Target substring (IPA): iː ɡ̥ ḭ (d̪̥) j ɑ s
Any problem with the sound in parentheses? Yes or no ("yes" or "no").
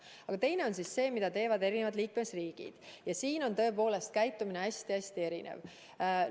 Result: no